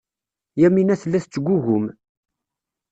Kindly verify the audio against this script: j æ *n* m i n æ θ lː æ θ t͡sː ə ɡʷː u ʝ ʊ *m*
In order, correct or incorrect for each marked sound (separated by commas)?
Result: incorrect, correct